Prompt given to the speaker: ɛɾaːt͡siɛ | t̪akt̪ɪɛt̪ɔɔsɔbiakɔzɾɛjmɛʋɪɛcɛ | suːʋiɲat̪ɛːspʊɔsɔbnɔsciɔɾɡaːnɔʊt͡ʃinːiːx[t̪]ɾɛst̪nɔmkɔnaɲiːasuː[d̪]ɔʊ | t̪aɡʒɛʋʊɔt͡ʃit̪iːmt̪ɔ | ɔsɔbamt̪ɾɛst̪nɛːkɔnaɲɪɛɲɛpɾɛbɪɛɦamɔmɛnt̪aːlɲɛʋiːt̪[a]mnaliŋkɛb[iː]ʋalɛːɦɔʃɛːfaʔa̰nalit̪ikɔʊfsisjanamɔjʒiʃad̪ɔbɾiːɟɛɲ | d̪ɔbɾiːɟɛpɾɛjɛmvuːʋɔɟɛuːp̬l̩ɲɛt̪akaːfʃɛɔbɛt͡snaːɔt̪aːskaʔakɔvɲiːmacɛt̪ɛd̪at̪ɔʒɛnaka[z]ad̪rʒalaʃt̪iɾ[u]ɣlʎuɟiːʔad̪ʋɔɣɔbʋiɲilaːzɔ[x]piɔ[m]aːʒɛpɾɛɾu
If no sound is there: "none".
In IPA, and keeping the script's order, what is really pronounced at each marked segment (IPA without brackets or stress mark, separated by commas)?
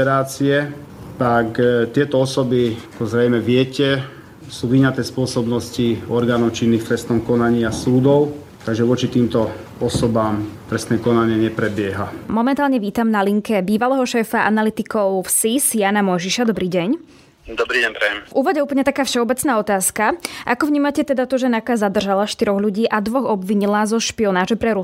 t̪, d̪, a, iː, z, ɔ, ʃ, n